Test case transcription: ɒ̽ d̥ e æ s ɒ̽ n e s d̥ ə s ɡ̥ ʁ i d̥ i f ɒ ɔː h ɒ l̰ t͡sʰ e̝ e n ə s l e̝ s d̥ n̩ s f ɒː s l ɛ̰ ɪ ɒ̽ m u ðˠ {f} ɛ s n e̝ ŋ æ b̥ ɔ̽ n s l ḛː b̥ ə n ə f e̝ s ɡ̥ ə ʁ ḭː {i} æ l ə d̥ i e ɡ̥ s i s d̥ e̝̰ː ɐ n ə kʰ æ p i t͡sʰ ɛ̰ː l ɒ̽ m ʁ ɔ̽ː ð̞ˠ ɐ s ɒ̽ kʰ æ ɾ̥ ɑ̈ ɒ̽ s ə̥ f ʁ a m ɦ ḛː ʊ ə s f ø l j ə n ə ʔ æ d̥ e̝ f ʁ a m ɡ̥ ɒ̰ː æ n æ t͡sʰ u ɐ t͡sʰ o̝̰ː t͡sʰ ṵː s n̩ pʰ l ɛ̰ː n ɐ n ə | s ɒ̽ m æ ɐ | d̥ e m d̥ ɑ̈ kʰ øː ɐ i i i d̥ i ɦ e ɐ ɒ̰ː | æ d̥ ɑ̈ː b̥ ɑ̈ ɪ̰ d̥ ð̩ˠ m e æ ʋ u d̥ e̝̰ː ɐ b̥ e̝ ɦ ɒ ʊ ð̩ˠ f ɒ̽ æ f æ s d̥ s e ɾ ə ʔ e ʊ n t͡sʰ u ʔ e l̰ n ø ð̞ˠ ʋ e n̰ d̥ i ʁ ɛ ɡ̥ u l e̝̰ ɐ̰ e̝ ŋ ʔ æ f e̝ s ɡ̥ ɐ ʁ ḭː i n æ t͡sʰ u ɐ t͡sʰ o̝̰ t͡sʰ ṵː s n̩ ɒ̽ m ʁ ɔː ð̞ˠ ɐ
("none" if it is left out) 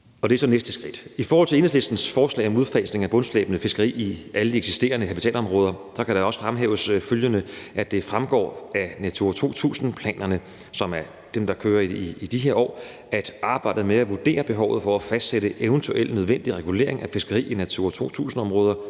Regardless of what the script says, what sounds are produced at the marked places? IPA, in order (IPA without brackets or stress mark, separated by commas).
f, i